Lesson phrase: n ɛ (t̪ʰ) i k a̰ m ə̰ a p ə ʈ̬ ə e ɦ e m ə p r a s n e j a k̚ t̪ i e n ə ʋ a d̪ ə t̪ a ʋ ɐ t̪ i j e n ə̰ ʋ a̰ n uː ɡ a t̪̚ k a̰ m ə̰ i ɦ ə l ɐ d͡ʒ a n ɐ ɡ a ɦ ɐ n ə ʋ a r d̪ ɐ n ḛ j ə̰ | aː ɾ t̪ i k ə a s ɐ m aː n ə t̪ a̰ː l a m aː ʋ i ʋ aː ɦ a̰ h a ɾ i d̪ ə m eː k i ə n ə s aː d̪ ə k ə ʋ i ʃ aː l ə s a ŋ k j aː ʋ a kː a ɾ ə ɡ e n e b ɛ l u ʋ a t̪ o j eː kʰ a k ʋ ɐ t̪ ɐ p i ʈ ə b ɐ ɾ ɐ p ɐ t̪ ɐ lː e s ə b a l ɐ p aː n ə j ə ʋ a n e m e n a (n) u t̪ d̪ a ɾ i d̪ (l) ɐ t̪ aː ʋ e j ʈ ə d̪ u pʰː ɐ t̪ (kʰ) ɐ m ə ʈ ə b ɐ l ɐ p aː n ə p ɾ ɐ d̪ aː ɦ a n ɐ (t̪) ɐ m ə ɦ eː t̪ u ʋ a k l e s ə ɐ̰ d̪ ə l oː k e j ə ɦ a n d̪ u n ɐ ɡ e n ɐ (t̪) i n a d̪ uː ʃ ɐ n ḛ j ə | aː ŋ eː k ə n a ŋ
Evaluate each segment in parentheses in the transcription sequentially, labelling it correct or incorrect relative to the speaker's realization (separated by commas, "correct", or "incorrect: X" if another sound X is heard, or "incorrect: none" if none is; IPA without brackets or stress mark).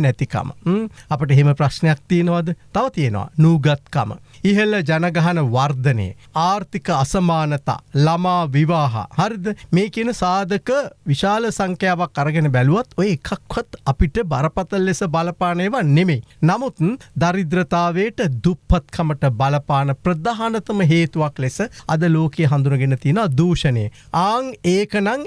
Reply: incorrect: t̪, incorrect: m, incorrect: ɾ, correct, correct, correct